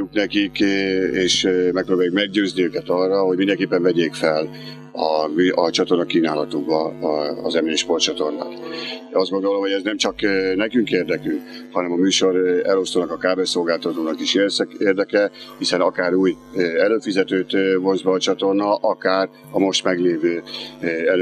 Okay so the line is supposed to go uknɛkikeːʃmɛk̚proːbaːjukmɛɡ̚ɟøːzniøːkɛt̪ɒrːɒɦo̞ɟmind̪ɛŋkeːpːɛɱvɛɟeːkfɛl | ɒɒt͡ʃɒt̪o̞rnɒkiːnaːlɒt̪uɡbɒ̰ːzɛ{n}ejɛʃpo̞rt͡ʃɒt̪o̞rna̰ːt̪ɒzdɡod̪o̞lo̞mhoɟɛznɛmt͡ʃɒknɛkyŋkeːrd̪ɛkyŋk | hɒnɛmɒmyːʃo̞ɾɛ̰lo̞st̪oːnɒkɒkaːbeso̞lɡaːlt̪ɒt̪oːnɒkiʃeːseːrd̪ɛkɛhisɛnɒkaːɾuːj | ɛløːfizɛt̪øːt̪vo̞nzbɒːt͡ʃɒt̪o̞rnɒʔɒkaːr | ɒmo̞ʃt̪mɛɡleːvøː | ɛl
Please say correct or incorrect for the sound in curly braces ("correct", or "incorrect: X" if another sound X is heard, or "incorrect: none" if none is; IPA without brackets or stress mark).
incorrect: m